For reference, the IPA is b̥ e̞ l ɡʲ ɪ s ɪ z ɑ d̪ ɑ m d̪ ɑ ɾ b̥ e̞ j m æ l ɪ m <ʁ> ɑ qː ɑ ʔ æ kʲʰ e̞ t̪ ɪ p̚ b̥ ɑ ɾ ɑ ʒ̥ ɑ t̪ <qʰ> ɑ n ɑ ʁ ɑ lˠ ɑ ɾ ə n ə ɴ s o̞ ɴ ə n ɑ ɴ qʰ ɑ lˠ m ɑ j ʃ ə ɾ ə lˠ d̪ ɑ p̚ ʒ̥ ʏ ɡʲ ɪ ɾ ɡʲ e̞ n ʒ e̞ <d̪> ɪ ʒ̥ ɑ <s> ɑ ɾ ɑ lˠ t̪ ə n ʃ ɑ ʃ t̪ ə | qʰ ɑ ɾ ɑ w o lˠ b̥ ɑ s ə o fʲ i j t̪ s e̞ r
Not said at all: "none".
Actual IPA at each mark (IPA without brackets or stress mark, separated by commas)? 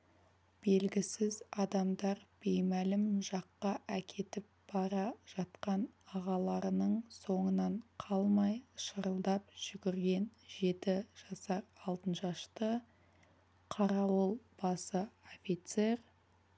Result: ʒ, q, t̪, s